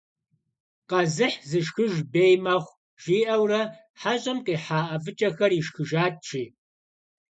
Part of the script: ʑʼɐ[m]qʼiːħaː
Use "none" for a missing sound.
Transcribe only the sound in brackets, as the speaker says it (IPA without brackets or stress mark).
m